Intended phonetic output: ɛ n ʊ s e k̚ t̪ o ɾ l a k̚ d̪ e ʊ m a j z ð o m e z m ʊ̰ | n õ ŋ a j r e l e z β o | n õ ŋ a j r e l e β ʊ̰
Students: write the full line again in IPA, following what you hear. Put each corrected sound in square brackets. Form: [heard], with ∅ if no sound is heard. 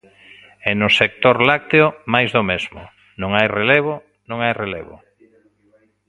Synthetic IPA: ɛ n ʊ s e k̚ t̪ o ɾ l a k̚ [t̪] e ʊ m a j z ð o m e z m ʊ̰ | n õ ŋ a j r e l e [∅] β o | n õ ŋ a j r e l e β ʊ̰